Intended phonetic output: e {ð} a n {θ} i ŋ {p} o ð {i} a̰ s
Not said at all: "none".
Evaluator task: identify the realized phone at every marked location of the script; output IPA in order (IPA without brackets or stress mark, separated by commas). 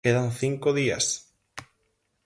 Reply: ð, θ, k, i